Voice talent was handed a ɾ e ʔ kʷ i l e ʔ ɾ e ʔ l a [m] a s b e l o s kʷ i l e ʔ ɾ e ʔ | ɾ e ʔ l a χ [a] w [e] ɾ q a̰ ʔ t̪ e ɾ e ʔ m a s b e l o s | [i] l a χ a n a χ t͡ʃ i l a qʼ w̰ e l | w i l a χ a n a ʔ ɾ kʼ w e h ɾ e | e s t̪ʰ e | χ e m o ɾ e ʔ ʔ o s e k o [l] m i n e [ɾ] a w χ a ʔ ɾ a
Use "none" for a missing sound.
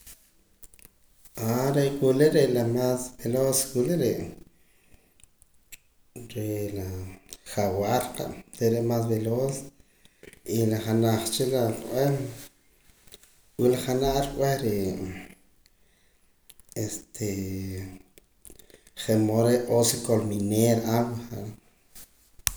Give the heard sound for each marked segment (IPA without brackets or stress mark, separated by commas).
m, a, a, i, l, ɾ